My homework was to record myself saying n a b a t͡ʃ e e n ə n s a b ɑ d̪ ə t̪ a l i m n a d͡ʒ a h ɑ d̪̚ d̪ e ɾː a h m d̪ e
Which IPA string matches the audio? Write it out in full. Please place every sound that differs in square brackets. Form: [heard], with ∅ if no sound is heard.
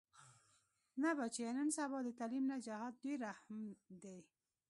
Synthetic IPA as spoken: n a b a t͡ʃ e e n ə n s a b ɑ d̪ ə t̪ a l i m n a d͡ʒ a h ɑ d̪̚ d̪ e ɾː a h m d̪ e